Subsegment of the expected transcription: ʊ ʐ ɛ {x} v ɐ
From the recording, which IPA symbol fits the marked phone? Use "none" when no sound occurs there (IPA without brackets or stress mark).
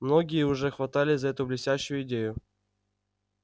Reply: x